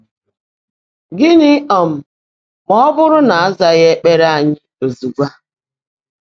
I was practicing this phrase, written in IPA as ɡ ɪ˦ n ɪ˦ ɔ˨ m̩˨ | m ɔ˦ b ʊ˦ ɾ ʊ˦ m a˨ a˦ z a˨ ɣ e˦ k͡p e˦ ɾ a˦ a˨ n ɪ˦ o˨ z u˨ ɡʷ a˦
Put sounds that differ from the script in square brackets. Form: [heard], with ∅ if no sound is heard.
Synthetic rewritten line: ɡ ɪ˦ n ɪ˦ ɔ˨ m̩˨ | m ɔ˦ b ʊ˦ ɾ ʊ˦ [n] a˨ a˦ z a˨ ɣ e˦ k͡p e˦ ɾ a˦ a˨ [ɲ] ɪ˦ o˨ z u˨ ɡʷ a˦